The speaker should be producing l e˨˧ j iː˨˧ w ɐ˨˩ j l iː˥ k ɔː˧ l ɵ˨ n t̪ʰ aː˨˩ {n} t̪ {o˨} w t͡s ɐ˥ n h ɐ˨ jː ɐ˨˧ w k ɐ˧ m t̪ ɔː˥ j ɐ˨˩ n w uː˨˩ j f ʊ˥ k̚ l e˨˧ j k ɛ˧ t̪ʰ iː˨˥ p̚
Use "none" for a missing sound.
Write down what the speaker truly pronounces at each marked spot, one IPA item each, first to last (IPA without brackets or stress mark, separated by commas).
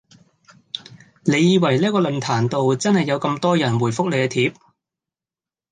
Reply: n, o˨